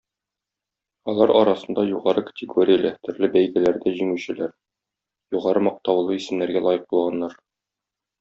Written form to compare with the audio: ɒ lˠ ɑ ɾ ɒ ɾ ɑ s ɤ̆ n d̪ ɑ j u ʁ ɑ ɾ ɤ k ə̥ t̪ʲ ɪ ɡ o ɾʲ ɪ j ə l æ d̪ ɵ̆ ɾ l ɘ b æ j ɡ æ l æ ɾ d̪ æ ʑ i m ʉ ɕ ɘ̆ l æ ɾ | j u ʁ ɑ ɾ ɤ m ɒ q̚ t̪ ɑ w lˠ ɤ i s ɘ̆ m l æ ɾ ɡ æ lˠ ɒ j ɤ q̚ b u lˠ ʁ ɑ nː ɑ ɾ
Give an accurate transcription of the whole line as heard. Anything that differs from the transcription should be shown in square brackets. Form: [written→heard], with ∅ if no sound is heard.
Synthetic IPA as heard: ɒ lˠ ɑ ɾ ɒ ɾ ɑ s ɤ̆ n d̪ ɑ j u ʁ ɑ ɾ ɤ k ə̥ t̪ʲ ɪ ɡ o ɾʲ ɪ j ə l æ [d̪→t̪] ɵ̆ ɾ l ɘ b æ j ɡ æ l æ ɾ d̪ æ ʑ i [m→ŋ] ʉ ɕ ɘ̆ l æ ɾ | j u ʁ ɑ ɾ ɤ m ɒ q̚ t̪ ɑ w lˠ ɤ i s ɘ̆ m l æ ɾ ɡ æ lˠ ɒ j ɤ q̚ b u lˠ ʁ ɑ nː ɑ ɾ